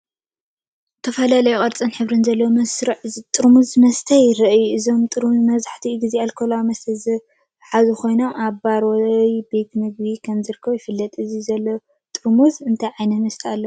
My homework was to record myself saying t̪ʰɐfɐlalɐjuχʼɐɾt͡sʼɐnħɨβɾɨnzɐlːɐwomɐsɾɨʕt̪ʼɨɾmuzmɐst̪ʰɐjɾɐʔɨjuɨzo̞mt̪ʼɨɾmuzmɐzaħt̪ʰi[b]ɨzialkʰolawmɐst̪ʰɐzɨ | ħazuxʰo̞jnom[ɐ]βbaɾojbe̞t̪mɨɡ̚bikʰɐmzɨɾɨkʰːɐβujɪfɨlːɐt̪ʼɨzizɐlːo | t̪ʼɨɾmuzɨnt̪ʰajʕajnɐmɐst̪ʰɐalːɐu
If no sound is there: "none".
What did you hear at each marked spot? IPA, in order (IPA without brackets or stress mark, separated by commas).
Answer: ɡ, a